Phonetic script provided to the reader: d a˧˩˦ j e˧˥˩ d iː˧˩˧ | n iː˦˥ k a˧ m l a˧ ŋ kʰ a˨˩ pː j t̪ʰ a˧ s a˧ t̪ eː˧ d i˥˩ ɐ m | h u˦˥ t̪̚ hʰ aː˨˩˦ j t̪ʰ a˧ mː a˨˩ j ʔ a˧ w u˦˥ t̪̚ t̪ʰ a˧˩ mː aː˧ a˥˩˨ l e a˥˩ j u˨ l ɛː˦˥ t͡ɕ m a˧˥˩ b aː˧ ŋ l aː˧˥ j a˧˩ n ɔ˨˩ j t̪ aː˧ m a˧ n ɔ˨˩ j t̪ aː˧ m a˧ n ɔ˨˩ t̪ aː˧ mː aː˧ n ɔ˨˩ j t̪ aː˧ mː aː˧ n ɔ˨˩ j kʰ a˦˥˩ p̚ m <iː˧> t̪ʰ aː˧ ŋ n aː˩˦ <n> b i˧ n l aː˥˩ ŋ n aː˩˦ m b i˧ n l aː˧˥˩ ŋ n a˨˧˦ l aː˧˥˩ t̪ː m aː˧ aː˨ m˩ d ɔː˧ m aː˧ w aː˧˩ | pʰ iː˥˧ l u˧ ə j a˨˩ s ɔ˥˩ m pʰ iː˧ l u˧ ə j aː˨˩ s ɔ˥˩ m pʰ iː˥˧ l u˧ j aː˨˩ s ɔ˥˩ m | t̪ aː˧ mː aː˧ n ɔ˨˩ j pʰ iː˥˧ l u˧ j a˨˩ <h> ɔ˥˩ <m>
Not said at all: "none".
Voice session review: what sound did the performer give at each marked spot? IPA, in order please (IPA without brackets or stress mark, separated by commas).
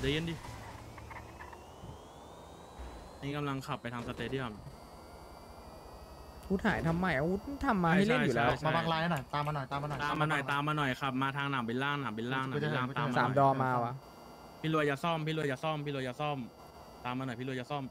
aː˧, m, s, m